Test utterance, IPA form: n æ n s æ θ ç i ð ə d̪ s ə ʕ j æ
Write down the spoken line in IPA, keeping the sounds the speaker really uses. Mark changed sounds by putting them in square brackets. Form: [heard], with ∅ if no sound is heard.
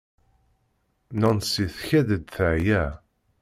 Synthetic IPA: n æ n s [i] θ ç [æ] ð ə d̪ [θ] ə ʕ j æ